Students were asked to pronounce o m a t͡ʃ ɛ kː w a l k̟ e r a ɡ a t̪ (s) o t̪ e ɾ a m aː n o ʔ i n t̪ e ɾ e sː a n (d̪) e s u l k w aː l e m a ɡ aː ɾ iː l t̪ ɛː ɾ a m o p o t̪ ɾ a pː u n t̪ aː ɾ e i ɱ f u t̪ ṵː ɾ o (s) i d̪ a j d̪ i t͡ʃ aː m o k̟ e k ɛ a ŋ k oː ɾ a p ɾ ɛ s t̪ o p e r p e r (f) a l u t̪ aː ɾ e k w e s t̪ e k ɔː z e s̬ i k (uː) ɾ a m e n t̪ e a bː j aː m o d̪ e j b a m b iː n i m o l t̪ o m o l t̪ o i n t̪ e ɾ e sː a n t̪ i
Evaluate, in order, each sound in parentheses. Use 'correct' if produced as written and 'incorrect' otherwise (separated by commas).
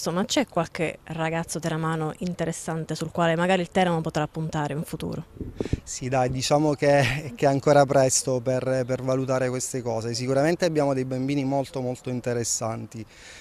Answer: incorrect, incorrect, correct, incorrect, incorrect